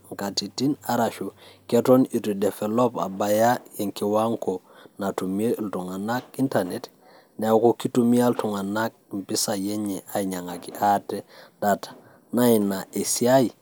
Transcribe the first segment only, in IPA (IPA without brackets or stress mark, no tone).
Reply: ŋ